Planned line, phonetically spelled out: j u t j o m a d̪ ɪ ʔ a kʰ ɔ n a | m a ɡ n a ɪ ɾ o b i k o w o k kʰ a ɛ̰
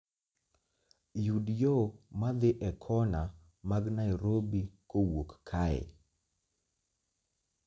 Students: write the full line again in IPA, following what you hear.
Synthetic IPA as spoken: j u d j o m a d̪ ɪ ʔ ɛ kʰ ɔ n a | m a ɡ n a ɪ ɾ o b i k o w o k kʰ a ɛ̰